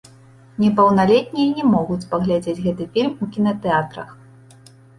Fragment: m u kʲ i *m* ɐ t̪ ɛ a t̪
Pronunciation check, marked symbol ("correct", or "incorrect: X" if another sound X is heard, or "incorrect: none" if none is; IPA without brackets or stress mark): incorrect: n